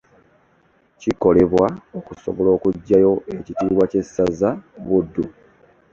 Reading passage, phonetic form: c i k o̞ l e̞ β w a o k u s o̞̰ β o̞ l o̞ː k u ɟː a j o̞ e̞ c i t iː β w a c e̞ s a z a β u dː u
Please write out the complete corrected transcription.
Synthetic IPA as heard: c i k o̞ l e̞ β w a o k u s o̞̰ β o̞ l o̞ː k u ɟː a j o̞ e̞ c i t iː β w a c e̞ s a z a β u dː u